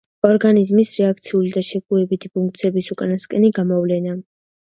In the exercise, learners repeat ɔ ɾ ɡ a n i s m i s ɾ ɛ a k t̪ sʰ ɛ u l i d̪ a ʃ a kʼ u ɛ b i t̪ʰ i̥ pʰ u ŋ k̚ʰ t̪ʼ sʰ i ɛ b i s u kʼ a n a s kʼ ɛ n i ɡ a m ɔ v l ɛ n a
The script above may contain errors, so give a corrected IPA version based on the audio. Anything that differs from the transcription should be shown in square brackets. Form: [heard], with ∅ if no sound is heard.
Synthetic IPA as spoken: ɔ ɾ ɡ a n i [z] m i s ɾ ɛ a k t̪ sʰ [i] u l i d̪ a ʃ [ɛ] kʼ u ɛ b i t̪ʰ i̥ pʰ u ŋ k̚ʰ [t̪] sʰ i ɛ b i s u kʼ a n a s kʼ ɛ n i ɡ a m ɔ v l ɛ n a